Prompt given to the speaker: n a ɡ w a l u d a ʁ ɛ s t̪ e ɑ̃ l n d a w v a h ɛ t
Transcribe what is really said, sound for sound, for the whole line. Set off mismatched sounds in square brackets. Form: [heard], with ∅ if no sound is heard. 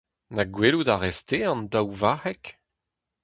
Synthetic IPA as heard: n a ɡ w [e] l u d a ʁ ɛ s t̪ e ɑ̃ [∅] n d a w v a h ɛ [k]